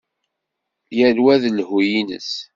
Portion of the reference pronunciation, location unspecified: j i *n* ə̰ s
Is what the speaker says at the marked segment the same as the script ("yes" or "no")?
yes